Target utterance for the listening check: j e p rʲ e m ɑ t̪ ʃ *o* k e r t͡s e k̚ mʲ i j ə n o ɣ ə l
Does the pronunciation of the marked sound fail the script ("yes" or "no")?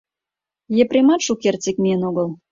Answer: yes